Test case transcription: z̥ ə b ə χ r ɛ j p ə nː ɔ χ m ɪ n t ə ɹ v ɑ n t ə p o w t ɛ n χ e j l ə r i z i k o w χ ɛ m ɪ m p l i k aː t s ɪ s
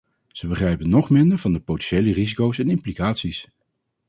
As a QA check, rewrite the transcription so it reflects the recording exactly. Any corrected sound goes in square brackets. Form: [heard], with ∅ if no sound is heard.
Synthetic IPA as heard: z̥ ə b ə χ r ɛ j p ə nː ɔ χ m ɪ n [d] ə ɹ v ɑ n [d] ə p o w t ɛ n [ʃ] e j l ə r i z i k o w [s] ɛ [n] ɪ m p l i k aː t s [i] s